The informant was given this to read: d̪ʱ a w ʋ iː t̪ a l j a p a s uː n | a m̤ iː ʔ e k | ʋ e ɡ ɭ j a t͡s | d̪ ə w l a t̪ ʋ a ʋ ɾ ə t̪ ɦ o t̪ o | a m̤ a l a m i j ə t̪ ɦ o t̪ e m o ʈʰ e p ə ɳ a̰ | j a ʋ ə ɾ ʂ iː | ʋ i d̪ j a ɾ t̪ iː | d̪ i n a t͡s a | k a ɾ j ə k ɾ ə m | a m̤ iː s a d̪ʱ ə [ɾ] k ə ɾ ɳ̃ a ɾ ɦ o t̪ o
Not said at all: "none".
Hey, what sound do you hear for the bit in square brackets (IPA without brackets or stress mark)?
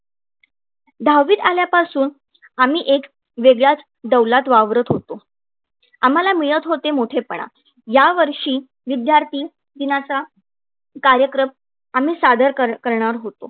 ɾ